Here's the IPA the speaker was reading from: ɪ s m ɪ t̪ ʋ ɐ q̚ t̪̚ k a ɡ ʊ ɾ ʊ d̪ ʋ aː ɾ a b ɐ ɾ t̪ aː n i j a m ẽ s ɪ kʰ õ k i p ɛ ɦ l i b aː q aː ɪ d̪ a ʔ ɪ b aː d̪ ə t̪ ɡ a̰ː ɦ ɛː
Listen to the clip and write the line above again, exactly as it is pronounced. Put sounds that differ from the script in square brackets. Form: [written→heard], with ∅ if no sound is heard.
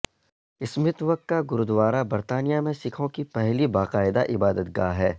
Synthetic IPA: ɪ s m ɪ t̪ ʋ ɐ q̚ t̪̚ k a ɡ ʊ ɾ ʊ d̪ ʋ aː ɾ a b ɐ ɾ t̪ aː n i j a m ẽ s ɪ kʰ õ k i p ɛ ɦ l i b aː q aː ɪ d̪ a ʔ ɪ b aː d̪ ə t̪ ɡ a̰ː ɦ ɛː